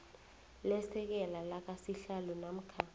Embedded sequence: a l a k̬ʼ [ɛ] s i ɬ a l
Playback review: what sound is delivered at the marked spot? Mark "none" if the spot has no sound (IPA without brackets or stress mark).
a